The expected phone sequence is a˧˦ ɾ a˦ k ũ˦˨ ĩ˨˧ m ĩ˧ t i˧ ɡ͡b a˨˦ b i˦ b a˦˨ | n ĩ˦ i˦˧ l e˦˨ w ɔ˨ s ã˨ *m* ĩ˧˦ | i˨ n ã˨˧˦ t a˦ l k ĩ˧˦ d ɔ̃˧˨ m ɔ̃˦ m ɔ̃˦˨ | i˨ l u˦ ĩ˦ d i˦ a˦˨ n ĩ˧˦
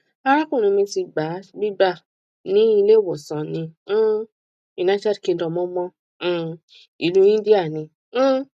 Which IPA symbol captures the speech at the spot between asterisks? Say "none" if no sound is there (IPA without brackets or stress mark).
n